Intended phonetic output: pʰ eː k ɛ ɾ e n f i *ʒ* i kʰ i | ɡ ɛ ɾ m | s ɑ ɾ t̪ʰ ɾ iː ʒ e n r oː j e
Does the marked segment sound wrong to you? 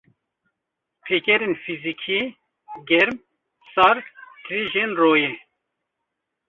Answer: yes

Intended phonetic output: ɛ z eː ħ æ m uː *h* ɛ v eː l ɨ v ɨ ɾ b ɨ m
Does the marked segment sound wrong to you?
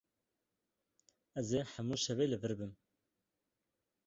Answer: yes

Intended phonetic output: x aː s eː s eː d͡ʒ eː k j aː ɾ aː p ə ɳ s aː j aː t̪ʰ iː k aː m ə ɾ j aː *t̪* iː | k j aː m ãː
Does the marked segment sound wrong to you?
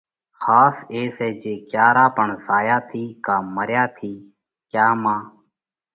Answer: yes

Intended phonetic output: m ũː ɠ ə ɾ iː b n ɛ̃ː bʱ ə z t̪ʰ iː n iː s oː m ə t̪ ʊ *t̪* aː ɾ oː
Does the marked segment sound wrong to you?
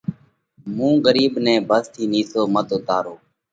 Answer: no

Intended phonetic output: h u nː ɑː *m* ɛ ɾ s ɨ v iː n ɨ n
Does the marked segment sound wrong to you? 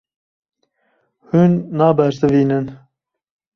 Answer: yes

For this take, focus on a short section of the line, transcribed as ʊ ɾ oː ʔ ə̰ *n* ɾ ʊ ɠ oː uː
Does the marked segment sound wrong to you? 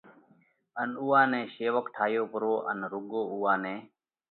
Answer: no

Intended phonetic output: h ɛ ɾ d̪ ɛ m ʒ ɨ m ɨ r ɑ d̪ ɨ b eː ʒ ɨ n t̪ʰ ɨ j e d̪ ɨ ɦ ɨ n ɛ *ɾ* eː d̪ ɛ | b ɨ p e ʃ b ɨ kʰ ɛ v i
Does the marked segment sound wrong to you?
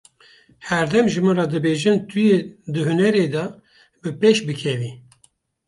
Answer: no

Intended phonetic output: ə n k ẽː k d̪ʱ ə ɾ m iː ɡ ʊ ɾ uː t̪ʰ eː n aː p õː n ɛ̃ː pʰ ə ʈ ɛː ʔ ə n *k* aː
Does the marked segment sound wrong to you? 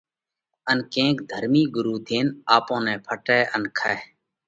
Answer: yes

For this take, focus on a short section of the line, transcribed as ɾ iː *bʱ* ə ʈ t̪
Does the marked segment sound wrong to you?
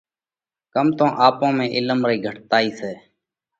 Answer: yes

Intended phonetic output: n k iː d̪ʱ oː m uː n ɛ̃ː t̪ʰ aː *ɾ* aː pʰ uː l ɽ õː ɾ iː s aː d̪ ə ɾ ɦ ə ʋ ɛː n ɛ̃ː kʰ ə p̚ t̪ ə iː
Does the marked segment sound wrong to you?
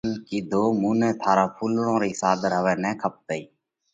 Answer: no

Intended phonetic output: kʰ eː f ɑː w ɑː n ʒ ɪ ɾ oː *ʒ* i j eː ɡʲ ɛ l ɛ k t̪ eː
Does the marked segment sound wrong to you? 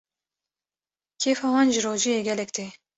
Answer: no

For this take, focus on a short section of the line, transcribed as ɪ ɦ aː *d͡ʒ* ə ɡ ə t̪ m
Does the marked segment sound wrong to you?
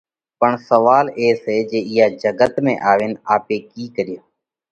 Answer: no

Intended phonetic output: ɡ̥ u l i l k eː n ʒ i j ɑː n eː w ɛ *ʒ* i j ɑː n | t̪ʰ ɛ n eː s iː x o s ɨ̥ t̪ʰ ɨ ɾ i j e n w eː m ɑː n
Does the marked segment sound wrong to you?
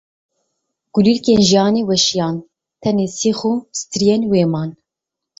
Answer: yes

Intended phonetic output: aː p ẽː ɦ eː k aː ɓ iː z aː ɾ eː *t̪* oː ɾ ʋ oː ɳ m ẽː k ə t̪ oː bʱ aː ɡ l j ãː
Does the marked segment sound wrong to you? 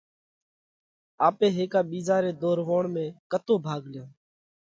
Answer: yes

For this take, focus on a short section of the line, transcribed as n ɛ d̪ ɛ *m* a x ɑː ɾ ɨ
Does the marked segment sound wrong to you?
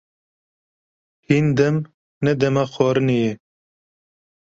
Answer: no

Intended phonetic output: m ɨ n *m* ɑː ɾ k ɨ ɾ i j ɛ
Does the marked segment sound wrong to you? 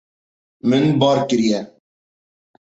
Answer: yes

